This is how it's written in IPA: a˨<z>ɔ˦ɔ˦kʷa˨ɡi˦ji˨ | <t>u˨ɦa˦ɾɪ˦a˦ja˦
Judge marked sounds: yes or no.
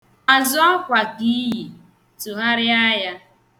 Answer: yes, yes

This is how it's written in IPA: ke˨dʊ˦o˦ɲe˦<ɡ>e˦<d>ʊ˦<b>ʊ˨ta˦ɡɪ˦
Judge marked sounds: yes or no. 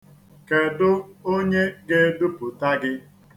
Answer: yes, yes, no

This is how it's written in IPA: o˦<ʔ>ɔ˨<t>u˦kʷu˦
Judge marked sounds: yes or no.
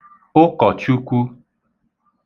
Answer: no, no

